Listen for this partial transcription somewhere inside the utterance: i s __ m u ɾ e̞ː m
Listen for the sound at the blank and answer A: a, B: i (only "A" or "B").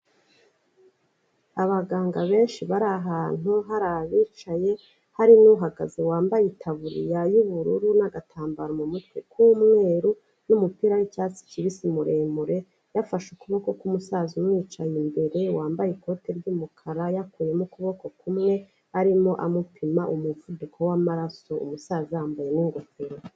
B